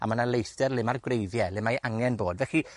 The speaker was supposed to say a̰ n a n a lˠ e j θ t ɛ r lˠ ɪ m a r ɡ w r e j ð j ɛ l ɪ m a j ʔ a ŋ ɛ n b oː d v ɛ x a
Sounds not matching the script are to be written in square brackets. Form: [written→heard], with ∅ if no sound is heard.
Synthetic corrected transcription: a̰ [n→m] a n a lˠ e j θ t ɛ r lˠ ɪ m a r ɡ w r e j ð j ɛ l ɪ m a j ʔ a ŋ ɛ n b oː d v ɛ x [a→i]